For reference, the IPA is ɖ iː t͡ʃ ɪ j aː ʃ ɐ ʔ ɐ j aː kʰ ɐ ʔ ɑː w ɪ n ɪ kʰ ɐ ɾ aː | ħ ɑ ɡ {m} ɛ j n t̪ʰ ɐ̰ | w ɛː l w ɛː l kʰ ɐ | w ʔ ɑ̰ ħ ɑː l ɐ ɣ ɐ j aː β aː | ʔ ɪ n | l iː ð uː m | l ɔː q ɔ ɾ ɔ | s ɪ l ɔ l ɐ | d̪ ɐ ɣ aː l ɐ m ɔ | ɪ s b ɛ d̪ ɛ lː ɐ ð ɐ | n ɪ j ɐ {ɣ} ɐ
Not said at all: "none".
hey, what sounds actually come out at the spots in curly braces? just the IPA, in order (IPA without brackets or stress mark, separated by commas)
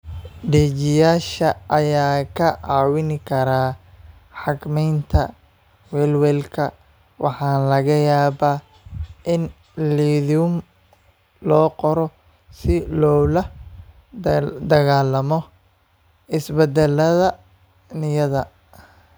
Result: m, ð